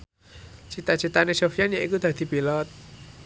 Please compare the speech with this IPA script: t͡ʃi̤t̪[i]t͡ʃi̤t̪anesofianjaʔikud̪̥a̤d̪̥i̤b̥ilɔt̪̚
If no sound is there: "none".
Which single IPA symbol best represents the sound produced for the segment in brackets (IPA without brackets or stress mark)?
a